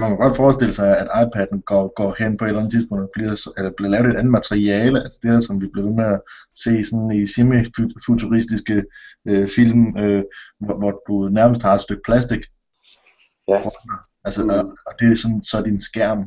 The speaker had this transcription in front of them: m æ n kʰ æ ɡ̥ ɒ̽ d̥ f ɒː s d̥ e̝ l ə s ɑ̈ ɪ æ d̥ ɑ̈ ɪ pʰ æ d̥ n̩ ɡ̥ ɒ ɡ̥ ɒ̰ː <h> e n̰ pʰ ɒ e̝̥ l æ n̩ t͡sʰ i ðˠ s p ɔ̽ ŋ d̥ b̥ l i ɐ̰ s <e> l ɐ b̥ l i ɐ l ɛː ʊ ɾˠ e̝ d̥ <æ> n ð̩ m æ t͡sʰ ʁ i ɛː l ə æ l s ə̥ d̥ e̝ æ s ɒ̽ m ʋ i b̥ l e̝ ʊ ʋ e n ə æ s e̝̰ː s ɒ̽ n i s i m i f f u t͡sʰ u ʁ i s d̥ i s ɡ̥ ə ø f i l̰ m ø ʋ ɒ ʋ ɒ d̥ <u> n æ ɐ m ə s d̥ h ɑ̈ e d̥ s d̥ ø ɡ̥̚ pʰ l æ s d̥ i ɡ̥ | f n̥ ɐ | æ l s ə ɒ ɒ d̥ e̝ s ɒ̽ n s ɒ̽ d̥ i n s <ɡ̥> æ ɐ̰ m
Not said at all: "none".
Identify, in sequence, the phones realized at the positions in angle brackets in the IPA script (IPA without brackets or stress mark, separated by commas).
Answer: h, e, æ, u, ɡ̥